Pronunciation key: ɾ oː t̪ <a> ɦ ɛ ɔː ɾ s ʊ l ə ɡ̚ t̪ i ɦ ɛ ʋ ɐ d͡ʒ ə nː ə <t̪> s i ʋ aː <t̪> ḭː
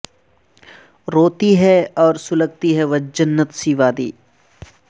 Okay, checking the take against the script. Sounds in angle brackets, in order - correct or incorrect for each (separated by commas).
incorrect, correct, incorrect